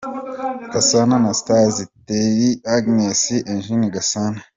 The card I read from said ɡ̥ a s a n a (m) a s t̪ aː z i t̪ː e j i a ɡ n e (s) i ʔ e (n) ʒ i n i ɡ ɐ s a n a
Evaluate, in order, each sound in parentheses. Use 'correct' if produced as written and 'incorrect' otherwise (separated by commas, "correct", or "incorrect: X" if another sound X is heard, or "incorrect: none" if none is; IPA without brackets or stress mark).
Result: incorrect: n, correct, correct